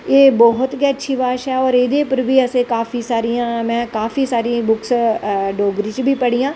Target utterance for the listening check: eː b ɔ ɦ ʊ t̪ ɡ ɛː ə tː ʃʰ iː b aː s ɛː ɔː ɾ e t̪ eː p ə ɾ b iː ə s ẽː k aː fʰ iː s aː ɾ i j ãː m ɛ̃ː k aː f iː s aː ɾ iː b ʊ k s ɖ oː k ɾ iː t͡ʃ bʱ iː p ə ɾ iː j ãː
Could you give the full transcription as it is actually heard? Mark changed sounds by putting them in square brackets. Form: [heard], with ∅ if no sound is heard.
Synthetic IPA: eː b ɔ ɦ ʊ t̪ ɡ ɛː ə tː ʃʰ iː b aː [ʃ] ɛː ɔː ɾ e [d̪] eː p ə ɾ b iː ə s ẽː k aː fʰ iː s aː ɾ i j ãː m ɛ̃ː k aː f iː s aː ɾ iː b ʊ k s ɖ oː [ɡ] ɾ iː t͡ʃ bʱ iː p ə [ɽ] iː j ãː